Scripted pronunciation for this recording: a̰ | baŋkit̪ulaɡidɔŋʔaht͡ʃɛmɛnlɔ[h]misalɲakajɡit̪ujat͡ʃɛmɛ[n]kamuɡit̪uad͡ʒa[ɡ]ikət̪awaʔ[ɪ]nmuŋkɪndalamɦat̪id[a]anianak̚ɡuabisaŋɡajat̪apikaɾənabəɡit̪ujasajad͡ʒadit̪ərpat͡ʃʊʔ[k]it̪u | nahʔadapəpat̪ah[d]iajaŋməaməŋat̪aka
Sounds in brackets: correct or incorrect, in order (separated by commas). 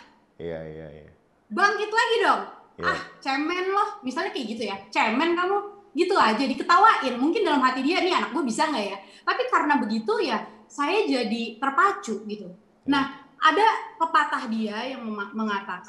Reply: correct, correct, incorrect, correct, incorrect, incorrect, correct